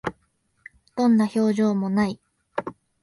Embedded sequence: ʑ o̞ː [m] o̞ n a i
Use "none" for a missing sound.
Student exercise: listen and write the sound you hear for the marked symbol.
m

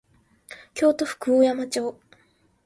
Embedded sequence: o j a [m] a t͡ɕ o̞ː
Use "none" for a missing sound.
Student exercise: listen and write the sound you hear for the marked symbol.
m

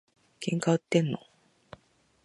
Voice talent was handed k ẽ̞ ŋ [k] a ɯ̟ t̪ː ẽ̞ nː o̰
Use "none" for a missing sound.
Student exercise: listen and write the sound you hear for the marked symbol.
k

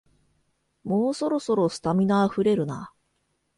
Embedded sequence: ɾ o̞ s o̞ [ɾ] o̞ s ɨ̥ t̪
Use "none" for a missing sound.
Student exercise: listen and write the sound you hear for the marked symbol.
ɾ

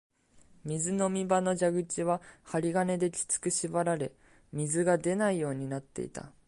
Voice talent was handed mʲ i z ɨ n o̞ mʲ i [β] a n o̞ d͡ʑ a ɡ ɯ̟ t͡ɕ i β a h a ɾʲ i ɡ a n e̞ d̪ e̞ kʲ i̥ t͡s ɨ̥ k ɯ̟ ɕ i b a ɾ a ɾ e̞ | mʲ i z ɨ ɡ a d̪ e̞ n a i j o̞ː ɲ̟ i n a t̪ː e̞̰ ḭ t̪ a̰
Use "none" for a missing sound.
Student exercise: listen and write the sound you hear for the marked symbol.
b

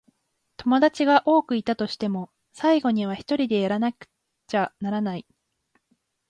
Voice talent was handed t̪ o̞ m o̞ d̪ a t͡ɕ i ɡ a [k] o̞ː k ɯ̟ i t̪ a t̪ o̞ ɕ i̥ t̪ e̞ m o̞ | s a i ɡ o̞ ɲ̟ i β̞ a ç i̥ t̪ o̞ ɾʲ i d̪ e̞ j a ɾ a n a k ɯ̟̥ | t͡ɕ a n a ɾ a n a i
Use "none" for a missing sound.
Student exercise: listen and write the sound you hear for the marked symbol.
ʔ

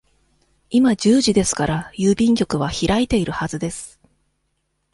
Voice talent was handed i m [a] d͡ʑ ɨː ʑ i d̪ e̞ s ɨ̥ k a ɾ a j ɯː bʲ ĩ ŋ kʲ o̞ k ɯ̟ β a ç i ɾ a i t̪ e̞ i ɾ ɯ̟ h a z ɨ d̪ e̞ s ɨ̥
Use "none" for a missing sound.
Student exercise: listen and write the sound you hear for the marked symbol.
a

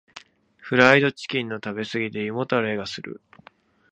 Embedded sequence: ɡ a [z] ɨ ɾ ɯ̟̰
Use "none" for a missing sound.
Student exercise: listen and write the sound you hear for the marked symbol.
s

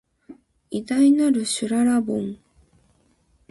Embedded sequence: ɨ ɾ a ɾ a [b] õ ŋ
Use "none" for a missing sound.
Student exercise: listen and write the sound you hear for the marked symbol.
b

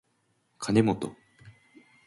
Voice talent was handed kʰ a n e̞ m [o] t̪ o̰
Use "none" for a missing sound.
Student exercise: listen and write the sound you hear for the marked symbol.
o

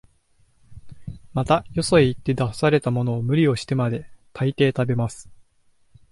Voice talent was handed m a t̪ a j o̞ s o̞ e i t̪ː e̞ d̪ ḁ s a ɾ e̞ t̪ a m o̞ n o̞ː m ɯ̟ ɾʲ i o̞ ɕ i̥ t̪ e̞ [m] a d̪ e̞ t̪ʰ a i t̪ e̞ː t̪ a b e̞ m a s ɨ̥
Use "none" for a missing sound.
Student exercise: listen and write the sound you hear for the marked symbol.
m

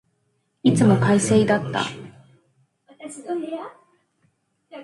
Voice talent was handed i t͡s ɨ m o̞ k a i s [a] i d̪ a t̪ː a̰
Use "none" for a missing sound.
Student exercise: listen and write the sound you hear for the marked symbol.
e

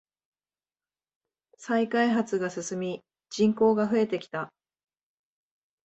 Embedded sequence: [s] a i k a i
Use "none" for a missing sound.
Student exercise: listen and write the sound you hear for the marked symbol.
s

